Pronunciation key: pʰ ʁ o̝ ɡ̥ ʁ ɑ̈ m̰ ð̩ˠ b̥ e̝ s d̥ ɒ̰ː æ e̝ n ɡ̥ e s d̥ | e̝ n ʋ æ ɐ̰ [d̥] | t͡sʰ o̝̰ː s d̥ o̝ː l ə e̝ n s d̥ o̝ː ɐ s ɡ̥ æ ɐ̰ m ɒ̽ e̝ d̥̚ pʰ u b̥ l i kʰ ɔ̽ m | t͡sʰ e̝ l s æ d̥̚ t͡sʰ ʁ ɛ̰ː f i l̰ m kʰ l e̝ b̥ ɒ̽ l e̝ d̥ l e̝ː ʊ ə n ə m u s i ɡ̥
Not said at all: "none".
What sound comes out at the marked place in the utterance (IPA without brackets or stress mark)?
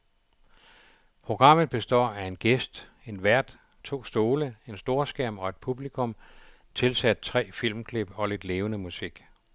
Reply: d̥